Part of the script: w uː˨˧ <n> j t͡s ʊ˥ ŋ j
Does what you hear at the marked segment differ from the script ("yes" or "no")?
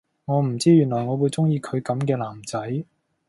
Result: yes